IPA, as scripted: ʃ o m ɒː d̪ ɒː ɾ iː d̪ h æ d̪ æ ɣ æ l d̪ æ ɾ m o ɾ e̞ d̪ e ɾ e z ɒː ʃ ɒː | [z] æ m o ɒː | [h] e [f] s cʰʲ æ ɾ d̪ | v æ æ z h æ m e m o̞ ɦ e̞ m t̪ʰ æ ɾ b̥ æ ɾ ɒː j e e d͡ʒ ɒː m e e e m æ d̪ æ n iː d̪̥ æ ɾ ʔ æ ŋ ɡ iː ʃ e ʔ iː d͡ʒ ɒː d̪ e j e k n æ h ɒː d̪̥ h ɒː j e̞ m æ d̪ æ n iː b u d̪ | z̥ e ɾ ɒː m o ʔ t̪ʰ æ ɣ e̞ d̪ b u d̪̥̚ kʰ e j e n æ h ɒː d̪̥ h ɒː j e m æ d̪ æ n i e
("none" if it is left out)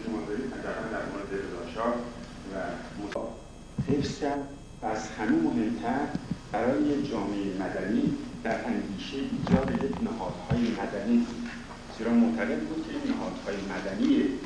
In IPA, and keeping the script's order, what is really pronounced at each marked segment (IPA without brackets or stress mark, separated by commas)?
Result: v, h, f